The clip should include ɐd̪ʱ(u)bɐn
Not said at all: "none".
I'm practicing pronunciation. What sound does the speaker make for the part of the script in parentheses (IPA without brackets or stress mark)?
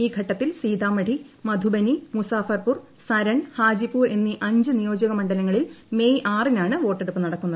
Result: u